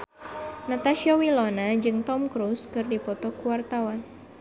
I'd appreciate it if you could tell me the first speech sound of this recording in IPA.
n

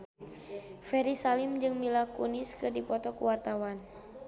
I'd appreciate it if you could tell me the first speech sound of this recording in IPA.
f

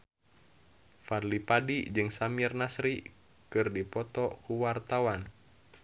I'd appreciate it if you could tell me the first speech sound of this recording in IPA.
f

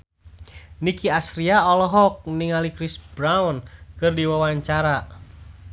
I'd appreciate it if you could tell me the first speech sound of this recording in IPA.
n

